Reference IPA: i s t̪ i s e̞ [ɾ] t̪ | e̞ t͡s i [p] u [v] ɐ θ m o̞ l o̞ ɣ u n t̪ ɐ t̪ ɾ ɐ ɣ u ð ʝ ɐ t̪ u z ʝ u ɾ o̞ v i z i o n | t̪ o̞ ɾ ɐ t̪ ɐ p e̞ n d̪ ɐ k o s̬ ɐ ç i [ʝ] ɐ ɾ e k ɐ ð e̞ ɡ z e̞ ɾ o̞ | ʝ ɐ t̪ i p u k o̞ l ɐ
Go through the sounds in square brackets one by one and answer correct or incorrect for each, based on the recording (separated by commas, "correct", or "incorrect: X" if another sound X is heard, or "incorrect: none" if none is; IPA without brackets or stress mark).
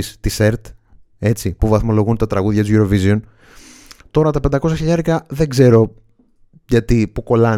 correct, correct, correct, incorrect: ʎ